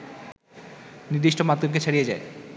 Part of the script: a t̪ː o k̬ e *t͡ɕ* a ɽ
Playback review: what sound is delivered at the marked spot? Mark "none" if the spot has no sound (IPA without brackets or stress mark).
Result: t͡ɕʰ